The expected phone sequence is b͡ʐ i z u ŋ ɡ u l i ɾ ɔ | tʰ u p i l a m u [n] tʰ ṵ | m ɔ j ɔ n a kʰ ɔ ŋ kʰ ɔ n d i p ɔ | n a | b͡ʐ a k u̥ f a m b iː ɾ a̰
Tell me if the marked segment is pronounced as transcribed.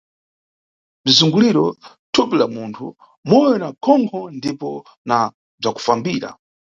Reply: yes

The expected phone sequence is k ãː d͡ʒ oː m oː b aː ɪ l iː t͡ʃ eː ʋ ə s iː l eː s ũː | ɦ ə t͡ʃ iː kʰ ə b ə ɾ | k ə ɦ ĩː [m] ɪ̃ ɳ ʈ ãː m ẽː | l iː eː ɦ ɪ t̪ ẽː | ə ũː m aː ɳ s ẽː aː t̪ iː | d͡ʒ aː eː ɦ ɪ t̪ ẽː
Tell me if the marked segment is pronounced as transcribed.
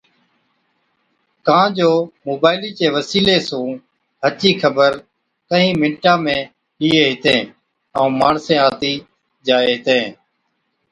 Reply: yes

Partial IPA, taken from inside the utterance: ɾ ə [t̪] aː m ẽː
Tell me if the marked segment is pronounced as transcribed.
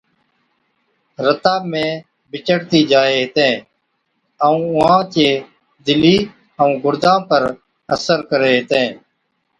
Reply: yes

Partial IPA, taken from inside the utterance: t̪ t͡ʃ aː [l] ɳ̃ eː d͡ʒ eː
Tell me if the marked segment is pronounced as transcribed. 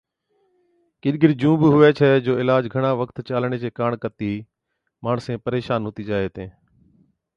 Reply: yes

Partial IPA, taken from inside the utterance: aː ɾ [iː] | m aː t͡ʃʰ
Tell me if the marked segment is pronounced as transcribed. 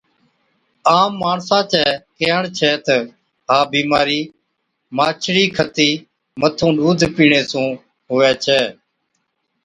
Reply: yes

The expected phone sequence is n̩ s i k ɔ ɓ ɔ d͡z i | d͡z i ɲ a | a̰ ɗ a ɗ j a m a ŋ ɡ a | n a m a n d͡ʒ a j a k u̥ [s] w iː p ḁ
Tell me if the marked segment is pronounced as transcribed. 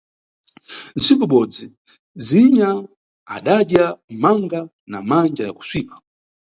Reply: yes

